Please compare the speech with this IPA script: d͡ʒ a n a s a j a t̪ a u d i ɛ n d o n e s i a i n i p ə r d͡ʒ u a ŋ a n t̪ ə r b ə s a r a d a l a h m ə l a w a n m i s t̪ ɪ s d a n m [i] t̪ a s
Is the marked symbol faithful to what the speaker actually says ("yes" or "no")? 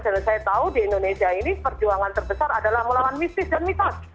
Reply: yes